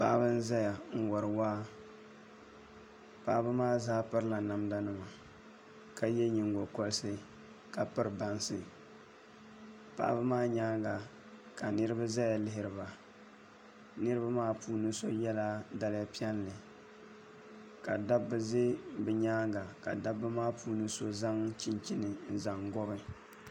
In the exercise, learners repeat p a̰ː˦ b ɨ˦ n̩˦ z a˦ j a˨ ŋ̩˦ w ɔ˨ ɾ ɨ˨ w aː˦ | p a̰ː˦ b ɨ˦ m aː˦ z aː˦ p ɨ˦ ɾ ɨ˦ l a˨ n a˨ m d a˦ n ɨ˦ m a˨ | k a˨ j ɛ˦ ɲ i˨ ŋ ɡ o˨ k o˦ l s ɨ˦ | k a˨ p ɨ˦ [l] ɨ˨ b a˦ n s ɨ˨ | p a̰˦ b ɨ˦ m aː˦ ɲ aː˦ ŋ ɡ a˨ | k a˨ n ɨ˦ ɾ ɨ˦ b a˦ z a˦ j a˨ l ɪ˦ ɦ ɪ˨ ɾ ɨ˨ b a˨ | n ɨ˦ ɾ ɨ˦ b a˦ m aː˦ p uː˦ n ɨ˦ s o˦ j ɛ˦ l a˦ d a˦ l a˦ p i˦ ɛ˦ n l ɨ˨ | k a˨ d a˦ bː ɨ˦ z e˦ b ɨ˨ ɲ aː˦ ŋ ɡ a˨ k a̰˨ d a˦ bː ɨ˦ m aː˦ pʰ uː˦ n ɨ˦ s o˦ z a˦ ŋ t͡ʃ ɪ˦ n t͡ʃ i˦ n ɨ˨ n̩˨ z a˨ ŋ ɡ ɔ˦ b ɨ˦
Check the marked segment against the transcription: incorrect: ɾ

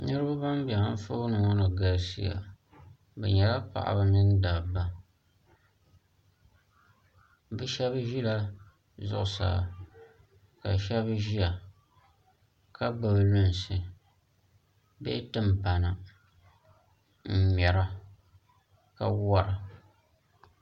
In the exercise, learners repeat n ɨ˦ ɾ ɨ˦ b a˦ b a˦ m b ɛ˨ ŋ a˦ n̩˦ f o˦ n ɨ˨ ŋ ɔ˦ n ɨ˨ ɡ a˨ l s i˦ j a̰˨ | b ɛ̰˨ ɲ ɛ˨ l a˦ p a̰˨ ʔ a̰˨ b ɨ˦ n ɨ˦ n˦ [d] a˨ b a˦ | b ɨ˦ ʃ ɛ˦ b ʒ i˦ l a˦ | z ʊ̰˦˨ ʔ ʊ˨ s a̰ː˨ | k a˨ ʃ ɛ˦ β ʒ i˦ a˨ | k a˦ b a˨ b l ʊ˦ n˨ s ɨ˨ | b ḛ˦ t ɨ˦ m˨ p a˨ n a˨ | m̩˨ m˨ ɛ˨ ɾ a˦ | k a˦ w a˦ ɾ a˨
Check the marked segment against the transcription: correct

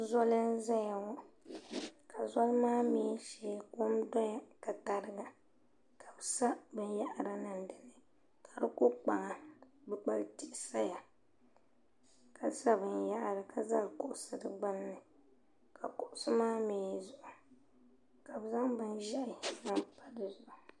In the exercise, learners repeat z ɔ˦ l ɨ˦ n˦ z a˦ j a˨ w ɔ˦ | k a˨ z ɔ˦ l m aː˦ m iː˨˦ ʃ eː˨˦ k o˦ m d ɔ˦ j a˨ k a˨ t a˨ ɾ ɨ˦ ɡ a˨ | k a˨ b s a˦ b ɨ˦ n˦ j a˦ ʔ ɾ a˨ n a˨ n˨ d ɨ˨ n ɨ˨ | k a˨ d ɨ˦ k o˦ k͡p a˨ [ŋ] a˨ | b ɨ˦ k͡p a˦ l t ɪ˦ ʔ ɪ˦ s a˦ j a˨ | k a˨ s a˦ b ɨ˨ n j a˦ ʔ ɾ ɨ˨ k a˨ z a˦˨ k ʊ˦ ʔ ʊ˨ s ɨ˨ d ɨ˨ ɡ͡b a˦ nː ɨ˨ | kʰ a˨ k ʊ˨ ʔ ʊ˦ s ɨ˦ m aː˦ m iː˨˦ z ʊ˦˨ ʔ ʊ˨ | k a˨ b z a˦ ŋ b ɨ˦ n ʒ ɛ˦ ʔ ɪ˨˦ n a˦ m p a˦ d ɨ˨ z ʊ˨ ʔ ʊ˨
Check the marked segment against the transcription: correct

